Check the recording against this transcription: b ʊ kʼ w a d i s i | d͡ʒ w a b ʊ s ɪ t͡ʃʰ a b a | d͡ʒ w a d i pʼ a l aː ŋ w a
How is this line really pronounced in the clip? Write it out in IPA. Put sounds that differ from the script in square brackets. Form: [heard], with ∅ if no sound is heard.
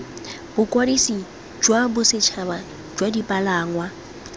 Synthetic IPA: b ʊ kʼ w a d i s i | d͡ʒ w a b ʊ s ɪ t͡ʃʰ a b a | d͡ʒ w a d i pʼ a l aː ŋ w a